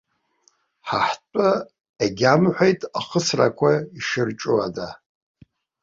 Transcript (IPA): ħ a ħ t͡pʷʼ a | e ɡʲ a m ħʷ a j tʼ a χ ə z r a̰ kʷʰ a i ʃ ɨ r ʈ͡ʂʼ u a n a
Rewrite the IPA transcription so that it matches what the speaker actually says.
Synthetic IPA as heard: ħ a ħ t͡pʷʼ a | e ɡʲ a m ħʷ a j tʼ a χ ə s r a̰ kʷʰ a i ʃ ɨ r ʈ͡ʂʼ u a d a